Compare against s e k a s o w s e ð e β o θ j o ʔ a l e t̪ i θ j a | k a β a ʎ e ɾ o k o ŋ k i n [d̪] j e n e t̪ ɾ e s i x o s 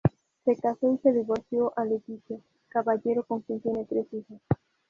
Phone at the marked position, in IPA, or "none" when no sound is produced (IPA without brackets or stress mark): t̪